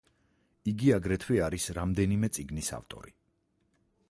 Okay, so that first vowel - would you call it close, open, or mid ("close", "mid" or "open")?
close